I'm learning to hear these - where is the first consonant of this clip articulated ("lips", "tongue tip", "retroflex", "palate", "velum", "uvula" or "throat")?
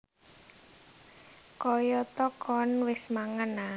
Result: velum